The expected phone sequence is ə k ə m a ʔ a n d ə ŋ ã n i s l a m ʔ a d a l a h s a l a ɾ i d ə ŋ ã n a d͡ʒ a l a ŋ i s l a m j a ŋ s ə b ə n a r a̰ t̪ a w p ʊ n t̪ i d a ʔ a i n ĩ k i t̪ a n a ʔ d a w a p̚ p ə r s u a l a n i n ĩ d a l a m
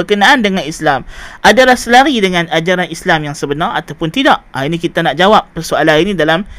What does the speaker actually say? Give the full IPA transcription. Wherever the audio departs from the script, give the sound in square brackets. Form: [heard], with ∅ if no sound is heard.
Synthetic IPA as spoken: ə k ə [n] a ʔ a n d ə ŋ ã n i s l a m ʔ a d a l a h s [ə] l a ɾ i d ə ŋ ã n a d͡ʒ a [ɾ] a [n] i s l a m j a ŋ s ə b ə n a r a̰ t̪ a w p ʊ n t̪ i d a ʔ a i n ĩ k i t̪ a n a ʔ [d͡ʒ] a w a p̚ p ə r s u a l a n i n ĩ d a l a m